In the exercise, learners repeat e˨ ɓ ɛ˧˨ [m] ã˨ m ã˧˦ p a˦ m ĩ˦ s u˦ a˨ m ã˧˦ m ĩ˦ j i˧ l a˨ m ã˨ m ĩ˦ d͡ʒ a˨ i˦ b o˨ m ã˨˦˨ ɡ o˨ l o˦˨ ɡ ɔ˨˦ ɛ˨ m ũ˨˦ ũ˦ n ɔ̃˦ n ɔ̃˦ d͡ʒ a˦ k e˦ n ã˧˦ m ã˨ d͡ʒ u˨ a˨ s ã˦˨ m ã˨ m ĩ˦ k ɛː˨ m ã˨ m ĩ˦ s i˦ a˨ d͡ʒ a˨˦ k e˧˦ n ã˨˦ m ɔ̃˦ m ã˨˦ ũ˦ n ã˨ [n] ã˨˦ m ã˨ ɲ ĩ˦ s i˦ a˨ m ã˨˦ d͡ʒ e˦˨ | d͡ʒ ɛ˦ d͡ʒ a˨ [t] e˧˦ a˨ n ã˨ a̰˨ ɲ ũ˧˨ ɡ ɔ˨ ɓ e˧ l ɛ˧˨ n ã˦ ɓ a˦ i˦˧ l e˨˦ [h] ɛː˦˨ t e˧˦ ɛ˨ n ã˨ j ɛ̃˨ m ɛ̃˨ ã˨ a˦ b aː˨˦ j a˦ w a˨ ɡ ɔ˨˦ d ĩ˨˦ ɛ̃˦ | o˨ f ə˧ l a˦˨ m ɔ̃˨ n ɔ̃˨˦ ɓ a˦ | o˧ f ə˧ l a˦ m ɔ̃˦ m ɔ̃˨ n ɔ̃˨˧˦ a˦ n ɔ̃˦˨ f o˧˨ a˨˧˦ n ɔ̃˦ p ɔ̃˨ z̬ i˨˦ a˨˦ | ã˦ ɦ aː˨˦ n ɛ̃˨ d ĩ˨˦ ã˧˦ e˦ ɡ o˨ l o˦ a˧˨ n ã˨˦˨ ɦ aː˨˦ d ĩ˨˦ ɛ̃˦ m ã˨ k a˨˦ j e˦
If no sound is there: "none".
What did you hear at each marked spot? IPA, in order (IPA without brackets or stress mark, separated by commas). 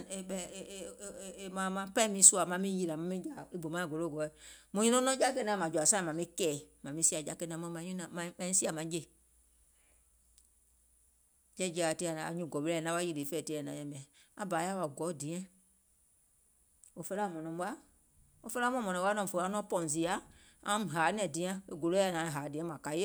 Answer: m, m, t, f